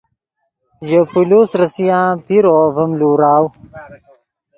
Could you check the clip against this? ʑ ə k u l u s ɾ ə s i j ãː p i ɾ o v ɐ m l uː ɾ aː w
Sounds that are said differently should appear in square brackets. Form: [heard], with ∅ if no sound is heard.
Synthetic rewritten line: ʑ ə [p] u l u s ɾ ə s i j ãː p i ɾ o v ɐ m l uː ɾ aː w